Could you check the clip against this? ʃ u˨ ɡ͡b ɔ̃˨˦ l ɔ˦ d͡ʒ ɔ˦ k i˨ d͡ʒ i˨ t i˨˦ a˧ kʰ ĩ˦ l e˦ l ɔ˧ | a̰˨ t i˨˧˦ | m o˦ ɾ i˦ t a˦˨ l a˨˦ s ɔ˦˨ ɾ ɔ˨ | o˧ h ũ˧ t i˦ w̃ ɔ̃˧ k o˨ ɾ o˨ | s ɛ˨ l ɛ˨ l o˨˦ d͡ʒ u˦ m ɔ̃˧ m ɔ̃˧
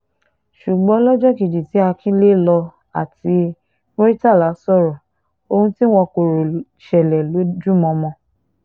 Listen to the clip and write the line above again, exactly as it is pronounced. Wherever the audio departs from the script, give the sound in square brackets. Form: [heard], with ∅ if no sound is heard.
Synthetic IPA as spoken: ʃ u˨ ɡ͡b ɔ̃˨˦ l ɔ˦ d͡ʒ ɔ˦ k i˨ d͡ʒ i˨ t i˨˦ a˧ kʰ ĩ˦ l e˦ l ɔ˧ | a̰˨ t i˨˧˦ | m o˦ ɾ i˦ t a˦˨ l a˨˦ s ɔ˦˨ ɾ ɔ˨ | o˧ h ũ˧ t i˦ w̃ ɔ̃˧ k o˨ ɾ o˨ | [ʃ] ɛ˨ l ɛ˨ l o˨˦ d͡ʒ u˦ m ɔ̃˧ m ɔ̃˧